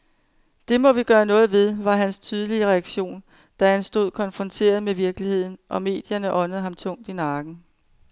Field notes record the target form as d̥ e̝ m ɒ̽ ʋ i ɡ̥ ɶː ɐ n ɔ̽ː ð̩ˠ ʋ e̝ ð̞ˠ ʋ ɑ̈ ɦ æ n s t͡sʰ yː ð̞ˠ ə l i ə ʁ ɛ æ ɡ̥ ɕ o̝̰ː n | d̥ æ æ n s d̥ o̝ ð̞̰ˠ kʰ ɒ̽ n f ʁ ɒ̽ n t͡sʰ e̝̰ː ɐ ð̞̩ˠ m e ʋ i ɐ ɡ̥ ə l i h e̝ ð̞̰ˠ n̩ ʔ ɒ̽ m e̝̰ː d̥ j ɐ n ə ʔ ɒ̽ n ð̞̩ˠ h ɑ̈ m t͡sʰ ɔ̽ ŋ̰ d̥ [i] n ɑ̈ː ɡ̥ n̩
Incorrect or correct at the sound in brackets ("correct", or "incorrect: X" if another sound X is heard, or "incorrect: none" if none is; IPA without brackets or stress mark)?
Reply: correct